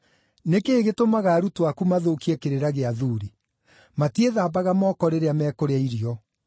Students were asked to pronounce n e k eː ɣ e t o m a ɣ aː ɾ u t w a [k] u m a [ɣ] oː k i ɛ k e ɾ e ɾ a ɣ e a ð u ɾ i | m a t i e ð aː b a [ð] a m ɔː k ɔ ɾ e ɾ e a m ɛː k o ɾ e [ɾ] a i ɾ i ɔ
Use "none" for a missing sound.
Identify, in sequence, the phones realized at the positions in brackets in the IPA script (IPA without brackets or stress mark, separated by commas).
k, ð, ɣ, none